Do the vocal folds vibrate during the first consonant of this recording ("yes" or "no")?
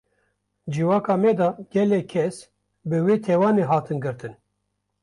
yes